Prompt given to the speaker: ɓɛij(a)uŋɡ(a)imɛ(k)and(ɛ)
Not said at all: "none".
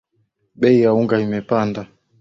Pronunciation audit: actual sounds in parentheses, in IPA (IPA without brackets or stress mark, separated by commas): a, a, p, a